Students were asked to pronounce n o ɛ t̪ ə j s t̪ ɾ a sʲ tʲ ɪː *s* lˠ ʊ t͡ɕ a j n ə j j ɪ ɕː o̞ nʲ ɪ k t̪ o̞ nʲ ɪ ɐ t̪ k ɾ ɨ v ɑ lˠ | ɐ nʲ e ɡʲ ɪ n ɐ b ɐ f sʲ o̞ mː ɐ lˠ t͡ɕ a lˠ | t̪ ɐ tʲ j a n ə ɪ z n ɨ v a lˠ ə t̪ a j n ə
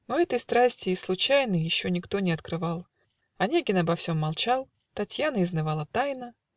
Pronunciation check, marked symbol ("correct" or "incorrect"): correct